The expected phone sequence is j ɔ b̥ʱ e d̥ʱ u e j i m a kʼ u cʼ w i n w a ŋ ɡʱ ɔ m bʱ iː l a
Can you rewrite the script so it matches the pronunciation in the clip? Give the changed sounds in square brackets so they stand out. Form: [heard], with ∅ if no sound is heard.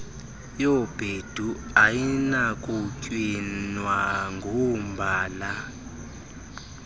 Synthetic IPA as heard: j ɔ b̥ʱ e d̥ʱ u [a] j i [n] a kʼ u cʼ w i n w a ŋ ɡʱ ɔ m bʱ [aː] l a